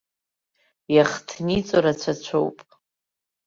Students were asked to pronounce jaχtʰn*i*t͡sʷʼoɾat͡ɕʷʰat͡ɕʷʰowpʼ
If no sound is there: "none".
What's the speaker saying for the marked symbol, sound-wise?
i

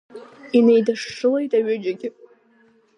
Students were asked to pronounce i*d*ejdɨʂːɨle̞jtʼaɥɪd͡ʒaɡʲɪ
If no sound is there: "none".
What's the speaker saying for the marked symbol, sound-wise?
n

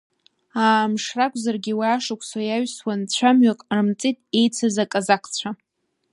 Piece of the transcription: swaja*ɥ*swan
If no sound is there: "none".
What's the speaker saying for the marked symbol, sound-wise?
ɥ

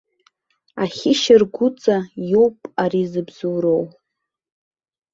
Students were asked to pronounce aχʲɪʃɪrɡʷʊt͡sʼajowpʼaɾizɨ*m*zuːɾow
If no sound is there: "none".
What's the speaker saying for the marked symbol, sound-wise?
b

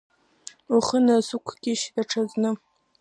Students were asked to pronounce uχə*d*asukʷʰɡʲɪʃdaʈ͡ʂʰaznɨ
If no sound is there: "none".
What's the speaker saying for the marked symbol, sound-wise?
n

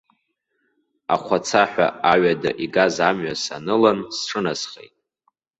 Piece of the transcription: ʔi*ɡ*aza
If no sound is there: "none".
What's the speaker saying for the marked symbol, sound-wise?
ɡ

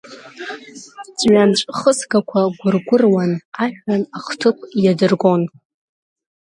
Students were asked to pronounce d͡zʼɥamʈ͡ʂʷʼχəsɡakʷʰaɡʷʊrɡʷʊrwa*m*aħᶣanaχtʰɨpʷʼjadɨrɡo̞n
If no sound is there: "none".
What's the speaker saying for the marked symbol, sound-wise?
n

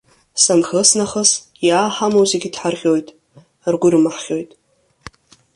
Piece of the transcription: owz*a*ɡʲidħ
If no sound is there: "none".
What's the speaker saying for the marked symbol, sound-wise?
e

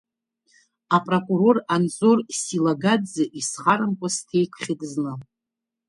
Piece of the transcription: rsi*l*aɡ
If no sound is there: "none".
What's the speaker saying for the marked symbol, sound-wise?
l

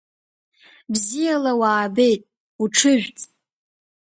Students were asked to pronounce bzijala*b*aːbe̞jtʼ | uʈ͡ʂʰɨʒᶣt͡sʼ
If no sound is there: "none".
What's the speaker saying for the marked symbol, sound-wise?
w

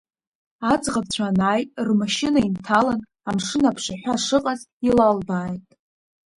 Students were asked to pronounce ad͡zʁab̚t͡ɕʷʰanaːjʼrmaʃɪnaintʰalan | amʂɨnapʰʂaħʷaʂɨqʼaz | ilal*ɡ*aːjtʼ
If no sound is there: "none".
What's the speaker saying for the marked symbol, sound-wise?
b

